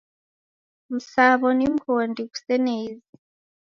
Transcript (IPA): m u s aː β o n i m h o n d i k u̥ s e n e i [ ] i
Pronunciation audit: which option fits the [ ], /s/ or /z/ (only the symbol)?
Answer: z